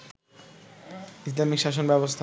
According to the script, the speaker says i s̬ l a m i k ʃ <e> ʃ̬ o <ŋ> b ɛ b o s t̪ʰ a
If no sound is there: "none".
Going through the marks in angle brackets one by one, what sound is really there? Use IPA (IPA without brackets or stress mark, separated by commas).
a, n